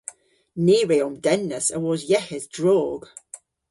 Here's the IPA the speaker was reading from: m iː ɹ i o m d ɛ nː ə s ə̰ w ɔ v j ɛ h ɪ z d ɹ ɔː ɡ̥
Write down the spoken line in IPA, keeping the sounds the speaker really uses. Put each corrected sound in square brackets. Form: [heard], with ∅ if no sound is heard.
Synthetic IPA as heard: [n] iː ɹ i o m d ɛ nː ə s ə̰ w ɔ [z] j ɛ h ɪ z d ɹ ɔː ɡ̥